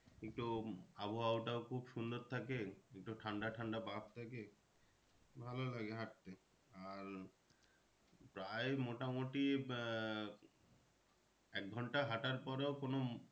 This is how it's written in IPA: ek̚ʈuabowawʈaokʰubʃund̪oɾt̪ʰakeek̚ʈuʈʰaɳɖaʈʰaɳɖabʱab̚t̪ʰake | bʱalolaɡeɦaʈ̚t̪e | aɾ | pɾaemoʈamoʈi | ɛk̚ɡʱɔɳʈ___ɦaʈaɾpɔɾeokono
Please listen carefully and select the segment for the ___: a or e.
a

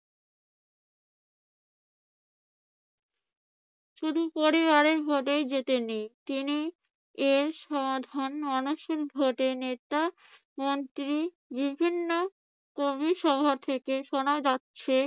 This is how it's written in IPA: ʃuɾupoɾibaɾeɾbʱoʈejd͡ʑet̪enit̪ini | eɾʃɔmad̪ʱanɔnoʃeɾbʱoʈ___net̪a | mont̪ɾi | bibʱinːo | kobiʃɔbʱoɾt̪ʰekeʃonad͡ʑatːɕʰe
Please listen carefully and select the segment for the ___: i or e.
e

